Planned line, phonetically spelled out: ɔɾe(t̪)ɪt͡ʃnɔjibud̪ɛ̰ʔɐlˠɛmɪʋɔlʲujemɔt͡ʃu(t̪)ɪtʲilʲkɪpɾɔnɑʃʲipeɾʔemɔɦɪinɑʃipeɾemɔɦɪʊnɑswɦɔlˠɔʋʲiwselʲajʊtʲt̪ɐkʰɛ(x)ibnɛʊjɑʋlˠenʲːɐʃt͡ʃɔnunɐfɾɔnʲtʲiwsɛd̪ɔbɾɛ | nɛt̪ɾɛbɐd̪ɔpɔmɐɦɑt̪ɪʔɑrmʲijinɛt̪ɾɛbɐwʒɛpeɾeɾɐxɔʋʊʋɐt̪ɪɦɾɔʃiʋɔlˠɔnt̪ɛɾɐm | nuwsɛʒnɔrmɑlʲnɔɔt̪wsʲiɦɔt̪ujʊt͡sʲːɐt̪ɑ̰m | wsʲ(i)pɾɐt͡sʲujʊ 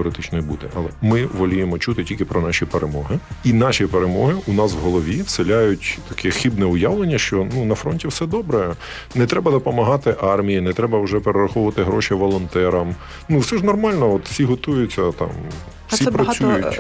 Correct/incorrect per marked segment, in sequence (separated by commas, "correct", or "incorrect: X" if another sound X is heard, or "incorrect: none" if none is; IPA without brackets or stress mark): correct, correct, correct, correct